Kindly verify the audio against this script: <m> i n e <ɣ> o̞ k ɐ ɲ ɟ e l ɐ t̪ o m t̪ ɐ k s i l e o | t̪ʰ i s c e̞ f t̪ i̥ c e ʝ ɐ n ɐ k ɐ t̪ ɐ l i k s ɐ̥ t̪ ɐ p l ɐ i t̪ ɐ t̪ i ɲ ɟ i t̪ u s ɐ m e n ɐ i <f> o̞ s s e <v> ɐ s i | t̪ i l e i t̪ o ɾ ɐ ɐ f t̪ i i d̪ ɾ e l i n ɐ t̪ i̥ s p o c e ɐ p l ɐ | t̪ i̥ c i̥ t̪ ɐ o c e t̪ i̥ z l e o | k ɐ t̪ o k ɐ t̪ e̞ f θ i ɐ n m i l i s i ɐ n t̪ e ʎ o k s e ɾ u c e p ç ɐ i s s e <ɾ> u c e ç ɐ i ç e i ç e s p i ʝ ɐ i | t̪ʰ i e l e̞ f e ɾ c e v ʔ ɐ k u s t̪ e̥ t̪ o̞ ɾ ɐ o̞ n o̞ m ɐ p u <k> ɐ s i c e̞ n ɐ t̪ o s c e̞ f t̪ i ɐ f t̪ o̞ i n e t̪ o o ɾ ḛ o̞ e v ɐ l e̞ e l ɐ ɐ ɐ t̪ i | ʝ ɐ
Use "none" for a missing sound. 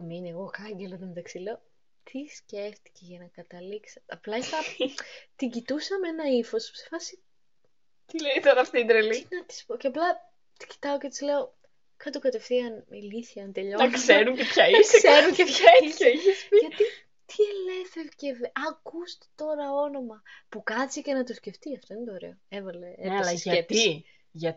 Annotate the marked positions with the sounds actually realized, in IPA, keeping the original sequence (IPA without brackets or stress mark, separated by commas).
m, ɣ, f, f, ɾ, k